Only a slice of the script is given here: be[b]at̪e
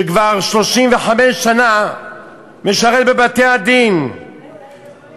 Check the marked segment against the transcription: correct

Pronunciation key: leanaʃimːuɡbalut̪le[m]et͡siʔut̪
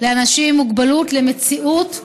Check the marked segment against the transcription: correct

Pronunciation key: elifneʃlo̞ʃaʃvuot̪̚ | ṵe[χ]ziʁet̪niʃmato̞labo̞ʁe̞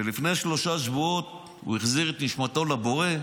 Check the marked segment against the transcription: correct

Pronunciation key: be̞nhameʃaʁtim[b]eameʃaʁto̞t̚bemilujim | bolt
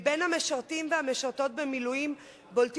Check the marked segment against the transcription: incorrect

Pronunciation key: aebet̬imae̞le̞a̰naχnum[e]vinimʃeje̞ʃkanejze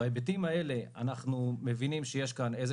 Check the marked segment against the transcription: correct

